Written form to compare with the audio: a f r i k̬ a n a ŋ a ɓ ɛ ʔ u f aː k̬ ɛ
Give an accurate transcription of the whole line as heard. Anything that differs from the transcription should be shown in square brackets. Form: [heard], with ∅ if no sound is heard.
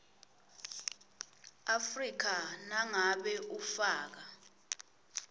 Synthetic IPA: a f r i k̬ a n a ŋ a ɓ ɛ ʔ u f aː k̬ [a]